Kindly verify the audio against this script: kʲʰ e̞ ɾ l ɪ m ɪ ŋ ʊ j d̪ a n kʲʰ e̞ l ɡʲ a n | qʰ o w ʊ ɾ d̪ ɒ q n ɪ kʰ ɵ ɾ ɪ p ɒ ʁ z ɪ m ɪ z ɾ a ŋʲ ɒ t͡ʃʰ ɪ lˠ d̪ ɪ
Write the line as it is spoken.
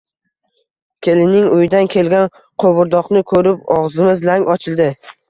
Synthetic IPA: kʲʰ e̞ l ɪ n ɪ ŋ ʊ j d̪ a n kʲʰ e̞ l ɡʲ a n | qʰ o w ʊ ɾ d̪ ɒ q n ɪ kʰ ɵ ɾ ɪ p ɒ ʁ z ɪ m ɪ z l a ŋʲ ɒ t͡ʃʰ ɪ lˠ d̪ ɪ